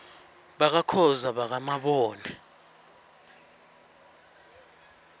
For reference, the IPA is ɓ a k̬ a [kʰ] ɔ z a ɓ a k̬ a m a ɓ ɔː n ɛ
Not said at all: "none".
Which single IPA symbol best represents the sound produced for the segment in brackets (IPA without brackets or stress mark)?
kʰ